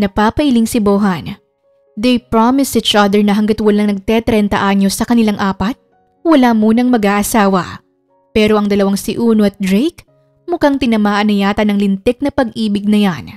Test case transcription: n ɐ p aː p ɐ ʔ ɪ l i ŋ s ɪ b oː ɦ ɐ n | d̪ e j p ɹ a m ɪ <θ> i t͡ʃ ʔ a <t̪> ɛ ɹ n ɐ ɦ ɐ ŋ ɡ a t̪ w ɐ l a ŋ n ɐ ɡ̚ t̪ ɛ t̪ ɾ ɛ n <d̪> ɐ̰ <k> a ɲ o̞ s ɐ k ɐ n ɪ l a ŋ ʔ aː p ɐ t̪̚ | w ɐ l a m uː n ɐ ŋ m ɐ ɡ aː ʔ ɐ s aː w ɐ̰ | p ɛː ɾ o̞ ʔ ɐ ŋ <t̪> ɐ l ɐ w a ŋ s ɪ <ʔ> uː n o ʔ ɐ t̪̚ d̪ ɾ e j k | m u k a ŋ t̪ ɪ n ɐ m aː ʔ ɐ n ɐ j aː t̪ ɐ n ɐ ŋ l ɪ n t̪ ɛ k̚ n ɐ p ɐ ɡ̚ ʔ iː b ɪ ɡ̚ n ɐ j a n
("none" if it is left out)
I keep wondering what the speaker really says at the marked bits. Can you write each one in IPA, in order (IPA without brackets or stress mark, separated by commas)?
s, d̪, t̪, ʔ, d̪, ʔ